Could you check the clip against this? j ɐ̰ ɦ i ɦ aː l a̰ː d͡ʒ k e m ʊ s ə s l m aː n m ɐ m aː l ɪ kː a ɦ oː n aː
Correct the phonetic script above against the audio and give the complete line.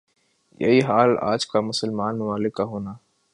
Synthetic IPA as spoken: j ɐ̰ ɦ i ɦ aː l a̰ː d͡ʒ k a m ʊ s ə l m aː n m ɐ m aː l ɪ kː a ɦ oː n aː